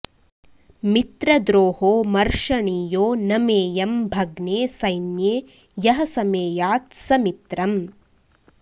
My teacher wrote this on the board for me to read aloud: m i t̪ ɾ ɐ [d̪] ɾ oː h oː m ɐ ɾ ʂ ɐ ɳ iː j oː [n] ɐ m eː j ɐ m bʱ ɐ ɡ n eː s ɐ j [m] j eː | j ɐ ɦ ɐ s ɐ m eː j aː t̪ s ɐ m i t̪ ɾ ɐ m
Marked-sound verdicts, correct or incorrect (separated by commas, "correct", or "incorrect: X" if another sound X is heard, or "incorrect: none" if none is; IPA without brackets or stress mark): correct, correct, incorrect: n